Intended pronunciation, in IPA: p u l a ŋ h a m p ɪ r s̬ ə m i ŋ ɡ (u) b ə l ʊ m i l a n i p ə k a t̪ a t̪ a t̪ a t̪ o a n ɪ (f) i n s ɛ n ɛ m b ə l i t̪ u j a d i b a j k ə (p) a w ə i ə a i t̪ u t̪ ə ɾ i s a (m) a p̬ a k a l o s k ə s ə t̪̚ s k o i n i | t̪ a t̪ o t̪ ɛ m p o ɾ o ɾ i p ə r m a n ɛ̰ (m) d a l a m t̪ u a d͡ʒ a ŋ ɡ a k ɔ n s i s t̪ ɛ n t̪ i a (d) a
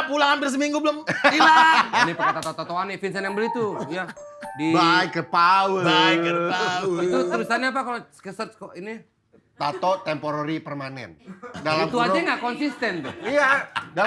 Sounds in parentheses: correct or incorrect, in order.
correct, correct, correct, incorrect: ɲ, incorrect: n, correct

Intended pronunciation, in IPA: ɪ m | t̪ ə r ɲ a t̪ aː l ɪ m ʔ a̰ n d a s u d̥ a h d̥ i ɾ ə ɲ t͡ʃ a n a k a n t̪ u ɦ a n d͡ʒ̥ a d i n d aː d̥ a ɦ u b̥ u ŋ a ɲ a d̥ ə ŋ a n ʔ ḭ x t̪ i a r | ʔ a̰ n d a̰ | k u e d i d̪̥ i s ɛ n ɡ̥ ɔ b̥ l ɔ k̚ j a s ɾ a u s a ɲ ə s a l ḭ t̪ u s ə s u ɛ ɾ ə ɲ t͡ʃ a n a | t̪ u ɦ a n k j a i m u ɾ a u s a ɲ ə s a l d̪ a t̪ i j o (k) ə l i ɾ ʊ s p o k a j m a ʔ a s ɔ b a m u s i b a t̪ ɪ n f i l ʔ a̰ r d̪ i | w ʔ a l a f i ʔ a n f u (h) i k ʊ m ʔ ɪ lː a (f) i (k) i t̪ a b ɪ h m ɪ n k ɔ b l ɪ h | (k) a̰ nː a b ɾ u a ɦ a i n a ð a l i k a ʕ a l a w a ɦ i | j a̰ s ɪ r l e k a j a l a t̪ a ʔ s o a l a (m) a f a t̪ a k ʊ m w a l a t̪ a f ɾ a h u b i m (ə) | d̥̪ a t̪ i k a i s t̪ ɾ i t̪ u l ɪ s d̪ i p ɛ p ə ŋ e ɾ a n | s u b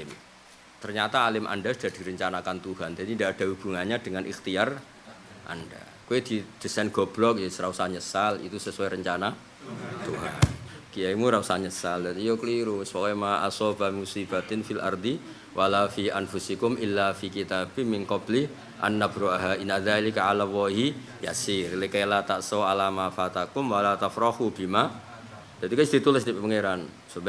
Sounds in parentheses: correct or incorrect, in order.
correct, incorrect: s, correct, correct, incorrect: ʔ, correct, incorrect: a

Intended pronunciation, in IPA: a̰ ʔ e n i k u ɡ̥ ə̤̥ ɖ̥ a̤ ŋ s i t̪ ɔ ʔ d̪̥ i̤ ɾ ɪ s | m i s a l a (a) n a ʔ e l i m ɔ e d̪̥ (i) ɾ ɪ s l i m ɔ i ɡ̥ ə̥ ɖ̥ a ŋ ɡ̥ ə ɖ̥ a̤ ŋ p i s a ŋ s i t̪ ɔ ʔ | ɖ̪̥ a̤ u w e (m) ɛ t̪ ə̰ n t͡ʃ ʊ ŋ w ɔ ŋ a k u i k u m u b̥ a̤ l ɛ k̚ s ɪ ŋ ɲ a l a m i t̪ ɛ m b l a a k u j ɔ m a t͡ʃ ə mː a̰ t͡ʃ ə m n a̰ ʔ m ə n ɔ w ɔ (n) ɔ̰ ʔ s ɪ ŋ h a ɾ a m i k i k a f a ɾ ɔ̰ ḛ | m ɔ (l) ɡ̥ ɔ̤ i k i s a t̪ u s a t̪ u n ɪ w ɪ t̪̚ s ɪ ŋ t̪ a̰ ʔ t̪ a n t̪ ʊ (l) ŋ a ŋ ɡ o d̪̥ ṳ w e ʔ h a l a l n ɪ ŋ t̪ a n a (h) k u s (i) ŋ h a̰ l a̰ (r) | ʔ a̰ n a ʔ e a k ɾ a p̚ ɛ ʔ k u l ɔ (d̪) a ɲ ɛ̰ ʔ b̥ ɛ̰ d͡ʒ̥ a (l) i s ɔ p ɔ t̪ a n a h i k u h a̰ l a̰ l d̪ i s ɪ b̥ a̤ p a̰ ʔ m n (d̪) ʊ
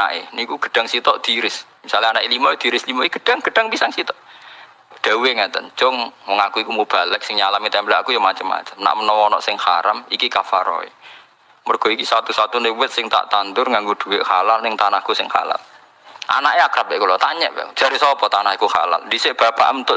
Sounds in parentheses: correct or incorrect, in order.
correct, correct, incorrect: ŋ, correct, incorrect: r, incorrect: r, correct, incorrect: ɪ, incorrect: l, incorrect: t̪, incorrect: ɾ, incorrect: t̪

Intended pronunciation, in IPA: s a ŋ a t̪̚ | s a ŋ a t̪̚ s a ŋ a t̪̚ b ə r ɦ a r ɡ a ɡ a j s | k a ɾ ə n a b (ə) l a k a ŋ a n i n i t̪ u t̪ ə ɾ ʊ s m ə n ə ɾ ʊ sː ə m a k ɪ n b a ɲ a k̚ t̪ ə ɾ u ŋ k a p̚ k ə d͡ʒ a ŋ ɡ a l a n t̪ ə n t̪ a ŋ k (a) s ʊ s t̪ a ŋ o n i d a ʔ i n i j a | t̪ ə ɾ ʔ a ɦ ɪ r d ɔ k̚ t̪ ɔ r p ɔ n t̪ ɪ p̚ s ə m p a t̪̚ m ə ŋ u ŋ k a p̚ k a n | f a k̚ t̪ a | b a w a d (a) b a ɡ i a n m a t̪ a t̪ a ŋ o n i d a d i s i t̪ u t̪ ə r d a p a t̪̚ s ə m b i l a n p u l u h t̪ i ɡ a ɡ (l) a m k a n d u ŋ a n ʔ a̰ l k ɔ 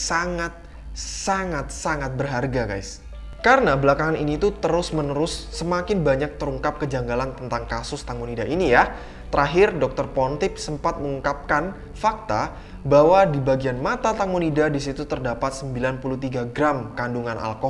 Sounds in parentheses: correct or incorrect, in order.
correct, correct, incorrect: i, incorrect: ɾ

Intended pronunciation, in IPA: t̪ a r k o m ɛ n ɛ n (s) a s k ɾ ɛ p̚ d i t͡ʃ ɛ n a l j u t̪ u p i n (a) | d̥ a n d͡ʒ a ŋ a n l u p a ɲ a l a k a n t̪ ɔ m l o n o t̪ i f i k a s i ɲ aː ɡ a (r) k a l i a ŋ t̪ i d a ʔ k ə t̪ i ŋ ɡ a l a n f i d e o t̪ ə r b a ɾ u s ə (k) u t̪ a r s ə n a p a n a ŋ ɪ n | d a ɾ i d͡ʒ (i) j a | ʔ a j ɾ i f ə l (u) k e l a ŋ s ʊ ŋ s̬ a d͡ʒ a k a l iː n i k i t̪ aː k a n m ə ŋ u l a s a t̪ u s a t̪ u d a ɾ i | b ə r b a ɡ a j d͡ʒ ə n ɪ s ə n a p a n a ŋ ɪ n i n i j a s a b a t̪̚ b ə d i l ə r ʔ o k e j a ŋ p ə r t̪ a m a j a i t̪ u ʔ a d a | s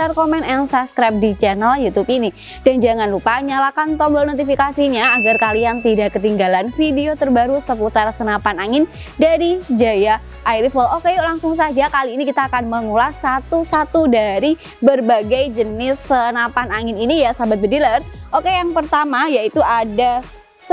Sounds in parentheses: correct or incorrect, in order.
correct, incorrect: i, correct, incorrect: p, incorrect: a, incorrect: o

